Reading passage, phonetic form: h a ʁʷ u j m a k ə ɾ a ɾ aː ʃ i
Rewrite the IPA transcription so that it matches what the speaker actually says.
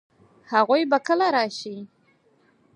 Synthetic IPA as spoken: h a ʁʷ u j b a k ə l a ɾ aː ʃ i

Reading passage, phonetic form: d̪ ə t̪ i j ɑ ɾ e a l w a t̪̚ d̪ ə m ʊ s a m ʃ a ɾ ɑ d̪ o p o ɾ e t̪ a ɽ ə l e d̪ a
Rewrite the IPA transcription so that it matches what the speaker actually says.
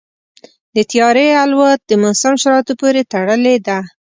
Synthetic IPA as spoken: d̪ ə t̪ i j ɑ ɾ e a l w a t̪̚ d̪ ə m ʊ s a m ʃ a ɾ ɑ t̪ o p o ɾ e t̪ a ɽ ə l e d̪ a

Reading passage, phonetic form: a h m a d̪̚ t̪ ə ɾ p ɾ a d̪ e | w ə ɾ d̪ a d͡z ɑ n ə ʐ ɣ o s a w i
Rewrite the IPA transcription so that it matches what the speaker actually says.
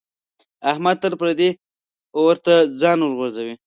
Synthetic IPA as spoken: a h m a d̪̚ t̪ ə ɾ p ɾ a d̪ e | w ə ɾ t̪ a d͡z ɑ n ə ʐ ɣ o z a w i

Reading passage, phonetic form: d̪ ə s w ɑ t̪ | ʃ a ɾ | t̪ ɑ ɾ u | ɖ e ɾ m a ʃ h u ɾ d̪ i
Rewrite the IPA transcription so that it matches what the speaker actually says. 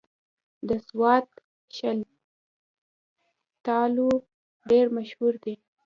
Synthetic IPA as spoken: d̪ ə s w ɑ t̪ | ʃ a l | t̪ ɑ l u | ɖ e ɾ m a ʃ h u ɾ d̪ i

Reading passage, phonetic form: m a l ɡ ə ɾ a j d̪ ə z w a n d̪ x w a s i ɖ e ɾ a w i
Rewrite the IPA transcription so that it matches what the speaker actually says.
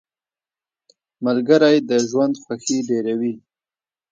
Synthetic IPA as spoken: m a l ɡ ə ɾ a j d̪ ə ʒ w a n d̪ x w a x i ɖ e ɾ a w i

